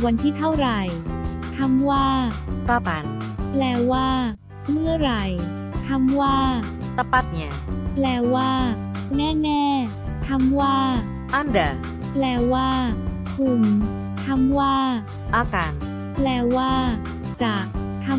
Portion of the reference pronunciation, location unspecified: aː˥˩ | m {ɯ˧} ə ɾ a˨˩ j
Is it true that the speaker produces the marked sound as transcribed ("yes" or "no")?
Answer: no